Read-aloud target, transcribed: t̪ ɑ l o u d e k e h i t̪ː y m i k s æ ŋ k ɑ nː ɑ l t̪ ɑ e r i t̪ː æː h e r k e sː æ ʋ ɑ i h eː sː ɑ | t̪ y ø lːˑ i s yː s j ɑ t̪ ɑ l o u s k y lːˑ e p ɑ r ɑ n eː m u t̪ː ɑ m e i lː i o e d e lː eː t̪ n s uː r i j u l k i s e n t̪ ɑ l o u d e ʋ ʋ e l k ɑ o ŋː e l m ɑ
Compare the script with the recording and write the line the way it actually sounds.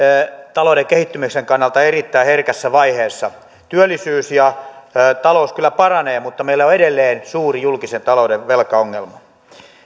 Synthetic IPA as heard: t̪ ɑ l o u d e k e h i t̪ː y m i k s e ŋ k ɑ nː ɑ l t̪ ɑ e r i t̪ː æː h e r k æ sː æ ʋ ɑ i h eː sː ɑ | t̪ y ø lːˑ i s yː s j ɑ t̪ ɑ l o u s k y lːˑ æ p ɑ r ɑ n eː m u t̪ː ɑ m e i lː æ o e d e lː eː n s uː r i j u l k i s e n t̪ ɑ l o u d e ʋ ʋ e l k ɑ o ŋː e l m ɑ